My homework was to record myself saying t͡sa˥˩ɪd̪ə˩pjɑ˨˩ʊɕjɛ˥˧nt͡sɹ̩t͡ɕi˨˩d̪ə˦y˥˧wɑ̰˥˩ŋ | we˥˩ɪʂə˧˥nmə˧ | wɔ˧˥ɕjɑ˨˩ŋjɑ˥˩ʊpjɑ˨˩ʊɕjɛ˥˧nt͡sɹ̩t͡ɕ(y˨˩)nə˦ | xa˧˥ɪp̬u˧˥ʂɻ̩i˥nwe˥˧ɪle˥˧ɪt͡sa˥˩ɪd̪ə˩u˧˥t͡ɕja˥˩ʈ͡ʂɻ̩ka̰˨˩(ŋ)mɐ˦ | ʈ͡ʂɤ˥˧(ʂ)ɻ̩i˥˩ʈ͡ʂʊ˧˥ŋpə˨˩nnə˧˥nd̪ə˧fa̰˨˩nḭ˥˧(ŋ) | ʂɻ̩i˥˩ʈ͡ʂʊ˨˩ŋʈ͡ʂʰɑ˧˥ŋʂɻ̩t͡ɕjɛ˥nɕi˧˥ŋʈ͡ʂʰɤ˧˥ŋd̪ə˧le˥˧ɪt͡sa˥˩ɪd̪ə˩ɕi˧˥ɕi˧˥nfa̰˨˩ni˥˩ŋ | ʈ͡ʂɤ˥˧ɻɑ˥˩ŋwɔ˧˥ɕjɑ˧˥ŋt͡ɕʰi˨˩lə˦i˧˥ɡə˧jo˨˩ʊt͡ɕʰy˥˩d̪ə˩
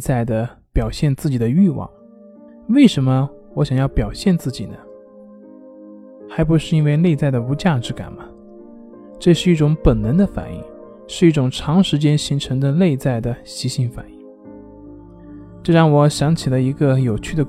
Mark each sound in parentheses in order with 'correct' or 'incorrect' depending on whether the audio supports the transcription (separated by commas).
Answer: incorrect, incorrect, correct, correct